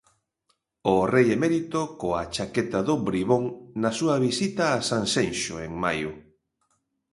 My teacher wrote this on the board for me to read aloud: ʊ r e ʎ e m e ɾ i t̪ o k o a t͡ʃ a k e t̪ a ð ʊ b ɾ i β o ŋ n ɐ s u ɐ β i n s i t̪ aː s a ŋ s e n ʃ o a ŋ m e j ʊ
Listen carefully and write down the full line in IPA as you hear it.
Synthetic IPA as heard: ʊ r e j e m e ɾ i t̪ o k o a t͡ʃ a k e t̪ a ð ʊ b ɾ i β o ŋ n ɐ s u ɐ β i s i t̪ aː s a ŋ s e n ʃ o e ŋ m a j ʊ